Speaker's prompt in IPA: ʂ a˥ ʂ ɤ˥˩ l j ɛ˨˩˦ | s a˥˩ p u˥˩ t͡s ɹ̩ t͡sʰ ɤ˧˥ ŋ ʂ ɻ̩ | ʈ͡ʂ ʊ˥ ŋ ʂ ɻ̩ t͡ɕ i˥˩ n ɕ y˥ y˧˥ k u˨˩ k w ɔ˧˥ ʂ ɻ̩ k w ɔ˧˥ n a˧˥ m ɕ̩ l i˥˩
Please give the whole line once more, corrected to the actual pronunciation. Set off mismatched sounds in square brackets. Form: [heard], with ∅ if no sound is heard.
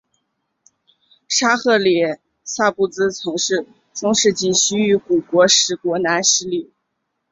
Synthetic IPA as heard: ʂ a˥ [x] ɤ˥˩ l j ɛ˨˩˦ | s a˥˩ p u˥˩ t͡s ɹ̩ t͡sʰ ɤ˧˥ ŋ ʂ ɻ̩ | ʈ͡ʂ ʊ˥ ŋ ʂ ɻ̩ t͡ɕ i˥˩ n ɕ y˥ y˧˥ k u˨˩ k w ɔ˧˥ ʂ ɻ̩ k w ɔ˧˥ n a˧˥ [n] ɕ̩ l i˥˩

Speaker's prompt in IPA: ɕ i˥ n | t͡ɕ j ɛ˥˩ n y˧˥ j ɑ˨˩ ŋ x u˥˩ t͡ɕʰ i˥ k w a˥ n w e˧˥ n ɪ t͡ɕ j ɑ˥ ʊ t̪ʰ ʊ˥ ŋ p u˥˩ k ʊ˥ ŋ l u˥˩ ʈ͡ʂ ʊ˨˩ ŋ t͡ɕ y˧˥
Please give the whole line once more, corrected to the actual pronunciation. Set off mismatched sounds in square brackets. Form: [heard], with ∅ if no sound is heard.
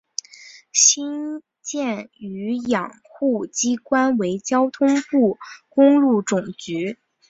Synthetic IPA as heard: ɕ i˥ n | t͡ɕ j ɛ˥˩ n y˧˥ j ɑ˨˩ ŋ x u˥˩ [t͡ɕ] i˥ k w a˥ n w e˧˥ [∅] ɪ t͡ɕ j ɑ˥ ʊ t̪ʰ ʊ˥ ŋ p u˥˩ k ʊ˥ ŋ l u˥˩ ʈ͡ʂ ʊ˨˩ ŋ t͡ɕ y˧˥

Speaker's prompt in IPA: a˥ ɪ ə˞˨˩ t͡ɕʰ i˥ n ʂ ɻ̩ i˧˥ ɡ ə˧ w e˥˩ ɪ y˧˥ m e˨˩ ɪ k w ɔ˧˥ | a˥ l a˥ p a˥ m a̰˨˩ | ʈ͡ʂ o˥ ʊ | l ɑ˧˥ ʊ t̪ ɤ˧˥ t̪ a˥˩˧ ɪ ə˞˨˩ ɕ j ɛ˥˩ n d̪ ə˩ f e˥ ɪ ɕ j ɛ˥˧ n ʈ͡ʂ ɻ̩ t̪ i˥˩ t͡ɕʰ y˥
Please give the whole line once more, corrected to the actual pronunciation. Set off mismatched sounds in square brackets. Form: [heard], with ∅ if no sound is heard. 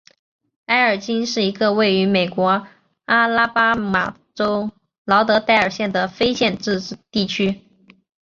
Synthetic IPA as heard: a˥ ɪ ə˞˨˩ [t͡ɕ] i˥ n ʂ ɻ̩ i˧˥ ɡ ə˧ w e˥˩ ɪ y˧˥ m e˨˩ ɪ k w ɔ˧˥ | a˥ l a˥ p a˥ m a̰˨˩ | ʈ͡ʂ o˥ ʊ | l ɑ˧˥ ʊ t̪ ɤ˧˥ t̪ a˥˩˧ ɪ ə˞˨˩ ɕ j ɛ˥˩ n d̪ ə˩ f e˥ ɪ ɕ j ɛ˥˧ n ʈ͡ʂ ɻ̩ t̪ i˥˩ t͡ɕʰ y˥

